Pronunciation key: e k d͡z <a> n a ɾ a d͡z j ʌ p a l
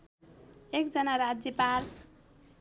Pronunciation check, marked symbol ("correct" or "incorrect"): incorrect